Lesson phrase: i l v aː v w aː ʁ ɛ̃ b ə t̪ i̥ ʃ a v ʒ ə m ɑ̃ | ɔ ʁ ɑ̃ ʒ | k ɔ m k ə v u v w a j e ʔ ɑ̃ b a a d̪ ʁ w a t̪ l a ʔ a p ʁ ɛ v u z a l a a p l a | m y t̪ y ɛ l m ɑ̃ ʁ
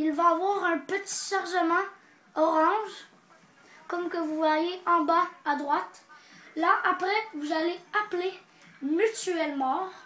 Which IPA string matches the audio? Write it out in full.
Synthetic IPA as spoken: i l v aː v w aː ʁ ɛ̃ p ə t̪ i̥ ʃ a ʁ ʒ ə m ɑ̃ | ɔ ʁ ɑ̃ ʒ | k ɔ m k ə v u v w a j e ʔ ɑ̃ b a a d̪ ʁ w a t̪ l a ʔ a p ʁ ɛ v u z a l e a p l e | m y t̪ y ɛ l m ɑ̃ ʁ